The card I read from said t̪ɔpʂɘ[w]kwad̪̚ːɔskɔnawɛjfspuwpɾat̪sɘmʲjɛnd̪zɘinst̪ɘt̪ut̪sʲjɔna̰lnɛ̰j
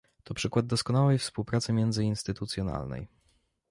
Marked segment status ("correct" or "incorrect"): incorrect